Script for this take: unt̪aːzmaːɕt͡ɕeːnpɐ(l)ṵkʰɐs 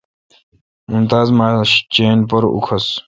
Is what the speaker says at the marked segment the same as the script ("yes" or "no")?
no